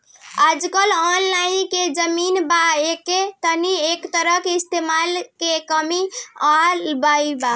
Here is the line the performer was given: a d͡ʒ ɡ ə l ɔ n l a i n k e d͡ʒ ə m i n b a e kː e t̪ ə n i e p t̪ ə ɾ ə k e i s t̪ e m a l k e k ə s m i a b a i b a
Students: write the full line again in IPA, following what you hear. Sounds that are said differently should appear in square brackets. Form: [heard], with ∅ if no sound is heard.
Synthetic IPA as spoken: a d͡ʒ [k] ə l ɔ n l a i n k e d͡ʒ ə m i n b a e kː e t̪ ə n i e [k] t̪ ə ɾ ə k e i s t̪ e m a l k e k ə [∅] m i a b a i b a